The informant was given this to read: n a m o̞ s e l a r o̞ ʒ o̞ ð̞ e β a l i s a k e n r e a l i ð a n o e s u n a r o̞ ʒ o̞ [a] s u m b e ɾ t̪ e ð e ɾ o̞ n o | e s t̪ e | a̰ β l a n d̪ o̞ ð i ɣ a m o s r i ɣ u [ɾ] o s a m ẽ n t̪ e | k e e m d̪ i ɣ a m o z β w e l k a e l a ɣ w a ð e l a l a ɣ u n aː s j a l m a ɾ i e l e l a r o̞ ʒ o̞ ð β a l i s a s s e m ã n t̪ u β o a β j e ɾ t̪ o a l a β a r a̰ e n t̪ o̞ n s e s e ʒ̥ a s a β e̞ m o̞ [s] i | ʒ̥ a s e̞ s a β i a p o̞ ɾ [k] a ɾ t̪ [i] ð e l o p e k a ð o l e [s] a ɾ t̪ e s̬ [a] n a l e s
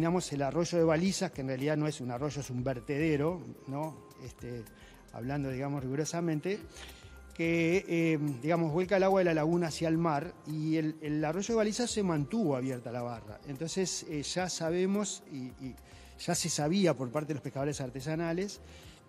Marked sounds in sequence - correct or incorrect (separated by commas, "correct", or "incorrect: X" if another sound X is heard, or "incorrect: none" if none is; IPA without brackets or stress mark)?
incorrect: e, correct, correct, incorrect: p, incorrect: e, correct, correct